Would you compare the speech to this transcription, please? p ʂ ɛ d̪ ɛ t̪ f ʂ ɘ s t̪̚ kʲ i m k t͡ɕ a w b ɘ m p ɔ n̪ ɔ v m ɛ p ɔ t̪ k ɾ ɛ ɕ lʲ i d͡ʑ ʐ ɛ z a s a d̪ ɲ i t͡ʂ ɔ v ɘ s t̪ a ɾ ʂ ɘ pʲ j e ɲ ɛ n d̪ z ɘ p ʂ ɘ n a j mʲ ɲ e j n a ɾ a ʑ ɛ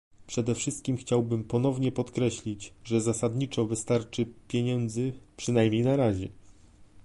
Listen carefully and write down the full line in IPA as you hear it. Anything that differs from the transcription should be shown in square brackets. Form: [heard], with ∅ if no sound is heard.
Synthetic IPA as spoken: p ʂ ɛ d̪ ɛ [∅] f ʂ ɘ s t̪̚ kʲ i m [x] t͡ɕ a w b ɘ m p ɔ n̪ ɔ v [ɲ] ɛ p ɔ t̪ k ɾ ɛ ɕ lʲ i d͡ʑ ʐ ɛ z a s a d̪ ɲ i t͡ʂ ɔ v ɘ s t̪ a ɾ [t͡ʂ] ɘ pʲ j e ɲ ɛ n d̪ z ɘ p ʂ ɘ n a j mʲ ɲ e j n a ɾ a ʑ ɛ